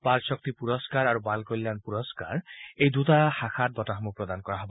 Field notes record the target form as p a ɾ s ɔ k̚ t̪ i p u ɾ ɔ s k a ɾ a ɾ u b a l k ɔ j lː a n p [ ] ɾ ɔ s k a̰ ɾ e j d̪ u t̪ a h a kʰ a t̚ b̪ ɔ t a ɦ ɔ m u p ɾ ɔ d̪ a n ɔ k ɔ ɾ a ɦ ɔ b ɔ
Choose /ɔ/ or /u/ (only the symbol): u